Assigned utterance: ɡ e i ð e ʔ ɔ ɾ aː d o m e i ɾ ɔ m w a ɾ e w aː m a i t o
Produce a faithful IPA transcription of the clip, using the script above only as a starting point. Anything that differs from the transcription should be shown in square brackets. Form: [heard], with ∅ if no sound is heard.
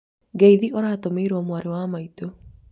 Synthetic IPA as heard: ɡ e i ð [i] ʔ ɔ ɾ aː [t] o m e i ɾ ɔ m w a ɾ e w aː m a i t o